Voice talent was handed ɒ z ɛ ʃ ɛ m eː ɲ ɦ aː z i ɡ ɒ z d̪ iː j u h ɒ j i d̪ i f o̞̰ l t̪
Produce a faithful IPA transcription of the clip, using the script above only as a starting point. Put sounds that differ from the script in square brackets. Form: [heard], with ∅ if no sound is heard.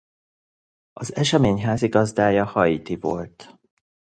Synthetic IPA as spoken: ɒ z ɛ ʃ ɛ m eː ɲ ɦ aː z i ɡ ɒ z d̪ [aː] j [ɒ] h ɒ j i [t̪] i [v] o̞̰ l t̪